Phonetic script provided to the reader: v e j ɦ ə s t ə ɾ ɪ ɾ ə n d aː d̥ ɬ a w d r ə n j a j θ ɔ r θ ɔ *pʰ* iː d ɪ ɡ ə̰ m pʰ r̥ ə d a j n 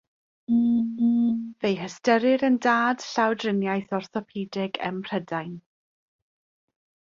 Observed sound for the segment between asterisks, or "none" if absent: pʰ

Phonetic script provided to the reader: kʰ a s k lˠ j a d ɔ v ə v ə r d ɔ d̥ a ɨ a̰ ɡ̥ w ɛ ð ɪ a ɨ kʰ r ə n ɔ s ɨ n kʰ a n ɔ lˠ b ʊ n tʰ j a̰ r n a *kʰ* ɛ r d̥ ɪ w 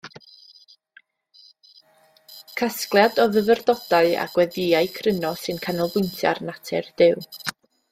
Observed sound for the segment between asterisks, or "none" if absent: tʰ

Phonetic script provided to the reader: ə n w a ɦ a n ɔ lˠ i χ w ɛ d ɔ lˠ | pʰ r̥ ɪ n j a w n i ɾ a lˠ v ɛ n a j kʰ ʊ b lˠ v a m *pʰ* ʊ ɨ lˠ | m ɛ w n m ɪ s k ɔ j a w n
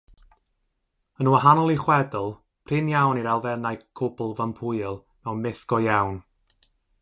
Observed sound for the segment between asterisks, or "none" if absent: pʰ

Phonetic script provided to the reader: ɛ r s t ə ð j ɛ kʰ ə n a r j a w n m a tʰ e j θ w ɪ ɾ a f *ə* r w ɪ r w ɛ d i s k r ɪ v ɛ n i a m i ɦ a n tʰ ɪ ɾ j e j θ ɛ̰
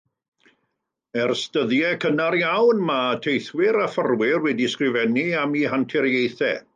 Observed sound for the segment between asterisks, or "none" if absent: ə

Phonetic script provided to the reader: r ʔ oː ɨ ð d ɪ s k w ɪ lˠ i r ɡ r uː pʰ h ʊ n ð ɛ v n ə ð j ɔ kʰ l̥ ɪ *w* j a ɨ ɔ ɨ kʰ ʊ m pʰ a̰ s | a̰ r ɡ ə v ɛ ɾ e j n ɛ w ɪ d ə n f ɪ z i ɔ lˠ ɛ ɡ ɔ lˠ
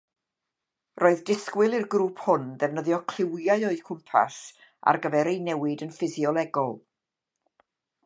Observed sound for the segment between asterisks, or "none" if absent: w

